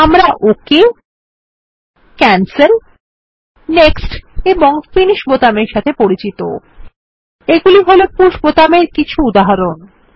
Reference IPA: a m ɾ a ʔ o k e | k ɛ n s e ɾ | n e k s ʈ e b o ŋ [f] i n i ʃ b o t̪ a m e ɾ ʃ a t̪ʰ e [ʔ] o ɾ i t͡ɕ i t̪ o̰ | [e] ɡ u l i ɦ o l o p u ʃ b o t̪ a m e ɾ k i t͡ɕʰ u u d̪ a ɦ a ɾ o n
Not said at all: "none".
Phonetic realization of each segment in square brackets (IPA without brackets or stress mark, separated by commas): f, p, e